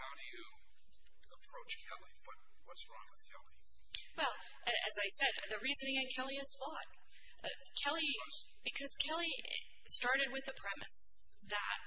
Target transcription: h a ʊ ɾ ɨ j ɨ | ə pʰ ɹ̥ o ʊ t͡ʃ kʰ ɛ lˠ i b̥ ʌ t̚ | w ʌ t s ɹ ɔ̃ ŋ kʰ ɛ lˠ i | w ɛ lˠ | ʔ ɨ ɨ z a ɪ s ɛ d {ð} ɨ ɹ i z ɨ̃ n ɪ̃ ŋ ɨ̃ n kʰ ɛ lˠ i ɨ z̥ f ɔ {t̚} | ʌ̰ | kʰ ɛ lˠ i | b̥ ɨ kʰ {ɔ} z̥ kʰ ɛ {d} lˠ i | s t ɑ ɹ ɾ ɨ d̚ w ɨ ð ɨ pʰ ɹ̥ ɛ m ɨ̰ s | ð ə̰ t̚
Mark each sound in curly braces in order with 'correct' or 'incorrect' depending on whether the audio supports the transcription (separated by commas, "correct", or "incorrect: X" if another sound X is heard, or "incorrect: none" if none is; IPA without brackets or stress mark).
correct, correct, incorrect: ʌ, incorrect: none